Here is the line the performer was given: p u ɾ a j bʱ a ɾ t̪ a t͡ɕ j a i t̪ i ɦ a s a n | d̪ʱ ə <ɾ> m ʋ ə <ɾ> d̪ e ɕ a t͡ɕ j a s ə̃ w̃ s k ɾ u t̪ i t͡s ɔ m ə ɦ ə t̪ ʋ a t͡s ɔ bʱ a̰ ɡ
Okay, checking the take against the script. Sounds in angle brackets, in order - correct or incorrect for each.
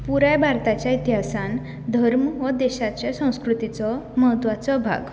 correct, incorrect: none

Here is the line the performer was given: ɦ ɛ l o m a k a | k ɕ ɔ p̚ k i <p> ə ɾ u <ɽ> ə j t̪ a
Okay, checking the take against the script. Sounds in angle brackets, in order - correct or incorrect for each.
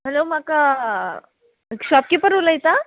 correct, incorrect: l

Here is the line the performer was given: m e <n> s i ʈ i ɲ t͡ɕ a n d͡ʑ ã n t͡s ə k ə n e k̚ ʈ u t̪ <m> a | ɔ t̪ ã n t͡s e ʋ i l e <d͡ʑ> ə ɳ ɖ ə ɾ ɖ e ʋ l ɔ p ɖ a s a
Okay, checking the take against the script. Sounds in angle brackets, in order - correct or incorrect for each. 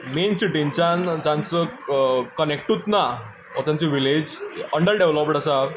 correct, incorrect: n, correct

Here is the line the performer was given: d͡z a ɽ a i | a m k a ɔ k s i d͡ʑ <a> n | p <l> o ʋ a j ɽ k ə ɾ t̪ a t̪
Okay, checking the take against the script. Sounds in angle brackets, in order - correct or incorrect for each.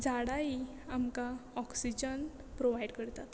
incorrect: ə, incorrect: ɾ

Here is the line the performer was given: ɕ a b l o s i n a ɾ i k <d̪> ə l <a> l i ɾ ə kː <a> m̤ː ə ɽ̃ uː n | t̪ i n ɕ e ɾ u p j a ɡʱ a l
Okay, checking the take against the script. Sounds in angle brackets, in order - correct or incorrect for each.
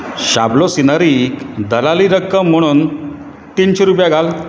correct, correct, incorrect: ə

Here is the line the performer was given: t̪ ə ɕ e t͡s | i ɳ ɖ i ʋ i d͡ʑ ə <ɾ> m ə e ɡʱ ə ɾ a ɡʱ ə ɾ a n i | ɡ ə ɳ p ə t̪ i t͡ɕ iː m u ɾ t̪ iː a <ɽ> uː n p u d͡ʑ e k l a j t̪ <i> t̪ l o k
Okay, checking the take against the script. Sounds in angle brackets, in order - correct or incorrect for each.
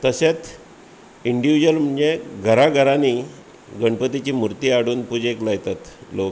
incorrect: l, correct, incorrect: a

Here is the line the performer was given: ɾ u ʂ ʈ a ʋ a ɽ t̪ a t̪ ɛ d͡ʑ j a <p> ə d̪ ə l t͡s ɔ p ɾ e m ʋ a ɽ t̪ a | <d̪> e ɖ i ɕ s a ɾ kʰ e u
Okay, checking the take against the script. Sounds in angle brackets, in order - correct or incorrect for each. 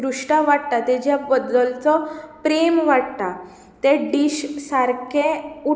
incorrect: b, incorrect: t̪

